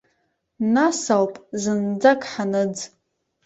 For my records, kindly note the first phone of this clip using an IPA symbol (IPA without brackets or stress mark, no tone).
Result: n